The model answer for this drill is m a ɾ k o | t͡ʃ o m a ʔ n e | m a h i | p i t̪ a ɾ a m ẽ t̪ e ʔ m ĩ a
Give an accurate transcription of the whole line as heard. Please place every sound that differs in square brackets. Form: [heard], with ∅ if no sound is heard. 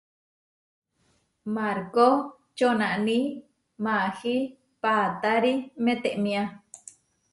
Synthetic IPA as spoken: m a ɾ k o | t͡ʃ o [n] a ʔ n [i] | m a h i | p [a] t̪ a ɾ [i] m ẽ t̪ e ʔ m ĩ a